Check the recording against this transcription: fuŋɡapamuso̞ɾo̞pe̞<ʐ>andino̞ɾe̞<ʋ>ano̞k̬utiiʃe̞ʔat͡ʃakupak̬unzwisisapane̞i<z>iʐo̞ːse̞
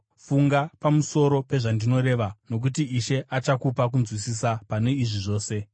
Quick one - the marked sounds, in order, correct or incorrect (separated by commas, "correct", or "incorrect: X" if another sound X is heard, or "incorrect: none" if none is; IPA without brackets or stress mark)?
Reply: correct, correct, incorrect: ʐ